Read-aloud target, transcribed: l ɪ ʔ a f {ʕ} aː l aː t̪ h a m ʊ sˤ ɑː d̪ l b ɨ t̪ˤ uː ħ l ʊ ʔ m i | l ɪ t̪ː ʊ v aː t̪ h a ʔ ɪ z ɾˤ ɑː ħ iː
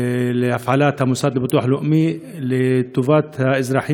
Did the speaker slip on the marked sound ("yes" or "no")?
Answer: no